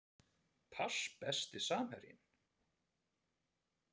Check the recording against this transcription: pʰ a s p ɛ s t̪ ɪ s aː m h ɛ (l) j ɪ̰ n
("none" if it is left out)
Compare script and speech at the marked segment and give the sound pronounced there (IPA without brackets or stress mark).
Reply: ɾ